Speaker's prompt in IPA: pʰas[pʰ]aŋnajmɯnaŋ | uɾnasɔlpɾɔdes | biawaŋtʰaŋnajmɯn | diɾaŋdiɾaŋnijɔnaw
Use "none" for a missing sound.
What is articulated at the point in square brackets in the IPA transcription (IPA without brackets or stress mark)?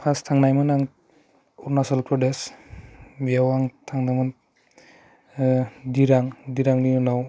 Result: tʰ